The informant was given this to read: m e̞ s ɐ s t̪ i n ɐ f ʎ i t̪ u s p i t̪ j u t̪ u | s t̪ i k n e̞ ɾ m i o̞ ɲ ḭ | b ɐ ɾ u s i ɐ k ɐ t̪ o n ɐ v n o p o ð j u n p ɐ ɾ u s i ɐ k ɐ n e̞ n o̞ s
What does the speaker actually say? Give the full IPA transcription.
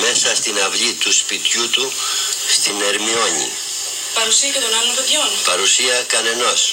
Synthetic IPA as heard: m e̞ s ɐ s t̪ i n ɐ v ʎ i t̪ u s p i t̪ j u t̪ u | s t̪ i n e̞ ɾ m i o̞ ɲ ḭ | p ɐ ɾ u s i ɐ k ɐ t̪ o n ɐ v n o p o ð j o n p ɐ ɾ u s i ɐ k ɐ n e̞ n o̞ s